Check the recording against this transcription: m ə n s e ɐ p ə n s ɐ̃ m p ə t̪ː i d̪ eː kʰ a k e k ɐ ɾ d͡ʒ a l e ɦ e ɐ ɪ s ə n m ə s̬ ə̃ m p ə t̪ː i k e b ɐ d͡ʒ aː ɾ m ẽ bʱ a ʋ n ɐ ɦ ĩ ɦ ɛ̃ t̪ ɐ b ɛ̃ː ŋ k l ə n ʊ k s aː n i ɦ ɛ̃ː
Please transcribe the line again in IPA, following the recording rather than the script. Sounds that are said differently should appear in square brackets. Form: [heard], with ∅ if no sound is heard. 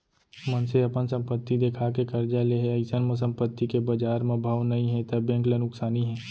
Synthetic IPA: m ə n s e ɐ p ə n s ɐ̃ m p ə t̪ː i d̪ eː kʰ a k e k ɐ ɾ d͡ʒ a l e ɦ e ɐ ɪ s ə n m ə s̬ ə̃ m p ə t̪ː i k e b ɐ d͡ʒ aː ɾ m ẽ bʱ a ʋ n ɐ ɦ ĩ ɦ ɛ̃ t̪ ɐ b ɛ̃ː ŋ k l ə n ʊ k s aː n i ɦ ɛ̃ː